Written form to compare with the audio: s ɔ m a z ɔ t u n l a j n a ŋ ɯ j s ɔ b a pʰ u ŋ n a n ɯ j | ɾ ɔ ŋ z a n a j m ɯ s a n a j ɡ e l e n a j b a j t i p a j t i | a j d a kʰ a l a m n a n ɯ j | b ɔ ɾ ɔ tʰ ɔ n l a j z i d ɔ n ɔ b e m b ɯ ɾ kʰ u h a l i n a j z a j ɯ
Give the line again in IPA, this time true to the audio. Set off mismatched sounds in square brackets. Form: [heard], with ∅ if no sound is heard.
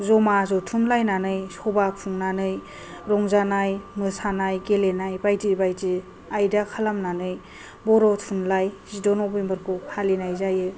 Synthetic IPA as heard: [z] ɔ m a z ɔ [tʰ] u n l a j n a [n] ɯ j s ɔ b a pʰ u ŋ n a n ɯ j | ɾ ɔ ŋ z a n a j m ɯ s a n a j ɡ e l e n a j b a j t i [b] a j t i | a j d a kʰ a l a m n a n ɯ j | b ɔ ɾ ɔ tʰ [u] n l a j z i d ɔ n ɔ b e m b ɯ ɾ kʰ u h a l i n a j z a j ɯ